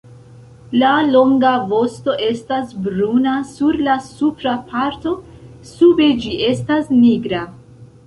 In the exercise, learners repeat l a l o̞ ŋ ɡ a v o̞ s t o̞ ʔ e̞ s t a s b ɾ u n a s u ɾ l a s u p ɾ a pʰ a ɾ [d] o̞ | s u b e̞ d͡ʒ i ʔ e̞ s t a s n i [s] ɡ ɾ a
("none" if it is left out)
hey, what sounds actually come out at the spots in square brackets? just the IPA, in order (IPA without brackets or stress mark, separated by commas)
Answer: t, none